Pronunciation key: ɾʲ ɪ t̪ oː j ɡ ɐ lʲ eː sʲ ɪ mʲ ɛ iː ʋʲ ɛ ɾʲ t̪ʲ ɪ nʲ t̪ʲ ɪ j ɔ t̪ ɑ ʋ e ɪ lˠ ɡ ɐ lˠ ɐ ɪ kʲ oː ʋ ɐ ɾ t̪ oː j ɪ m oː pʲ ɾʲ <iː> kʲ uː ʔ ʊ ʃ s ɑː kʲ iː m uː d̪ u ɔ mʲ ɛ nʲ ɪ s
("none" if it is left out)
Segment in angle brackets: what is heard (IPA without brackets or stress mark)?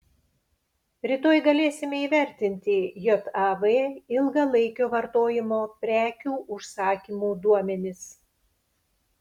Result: æː